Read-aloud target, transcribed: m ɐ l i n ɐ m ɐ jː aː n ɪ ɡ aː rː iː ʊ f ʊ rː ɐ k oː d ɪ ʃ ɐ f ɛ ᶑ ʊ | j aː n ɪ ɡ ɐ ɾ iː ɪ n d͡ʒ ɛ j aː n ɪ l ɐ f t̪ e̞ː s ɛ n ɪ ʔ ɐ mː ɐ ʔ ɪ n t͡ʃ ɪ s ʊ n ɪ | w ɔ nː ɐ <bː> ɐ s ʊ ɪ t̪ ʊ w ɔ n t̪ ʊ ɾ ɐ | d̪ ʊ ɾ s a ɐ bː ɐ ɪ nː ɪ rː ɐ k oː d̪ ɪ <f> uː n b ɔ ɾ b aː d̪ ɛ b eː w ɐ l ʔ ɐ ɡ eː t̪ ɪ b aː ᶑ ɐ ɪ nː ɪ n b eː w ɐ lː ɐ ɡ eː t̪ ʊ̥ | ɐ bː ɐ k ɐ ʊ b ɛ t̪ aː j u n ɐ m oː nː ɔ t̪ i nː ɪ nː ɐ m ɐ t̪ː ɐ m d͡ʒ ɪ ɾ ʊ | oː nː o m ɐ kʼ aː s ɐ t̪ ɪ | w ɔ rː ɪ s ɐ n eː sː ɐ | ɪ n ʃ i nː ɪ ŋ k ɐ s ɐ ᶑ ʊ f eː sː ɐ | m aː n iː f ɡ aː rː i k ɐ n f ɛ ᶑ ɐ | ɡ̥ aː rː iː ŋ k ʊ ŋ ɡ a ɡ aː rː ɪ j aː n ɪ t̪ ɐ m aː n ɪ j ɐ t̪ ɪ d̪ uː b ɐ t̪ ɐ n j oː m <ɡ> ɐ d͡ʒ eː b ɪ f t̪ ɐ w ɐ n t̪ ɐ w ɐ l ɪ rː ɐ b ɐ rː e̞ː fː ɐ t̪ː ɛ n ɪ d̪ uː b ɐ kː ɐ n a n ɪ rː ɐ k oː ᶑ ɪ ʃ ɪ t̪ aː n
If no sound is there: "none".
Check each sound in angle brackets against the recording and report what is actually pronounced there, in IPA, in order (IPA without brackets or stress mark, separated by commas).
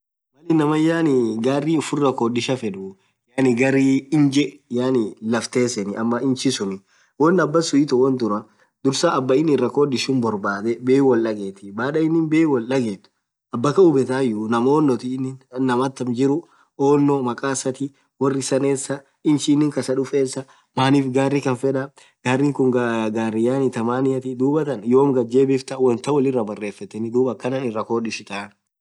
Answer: bː, ʃ, ɡ